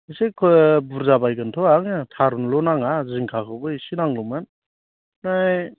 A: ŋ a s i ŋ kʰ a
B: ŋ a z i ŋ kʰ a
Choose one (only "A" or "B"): B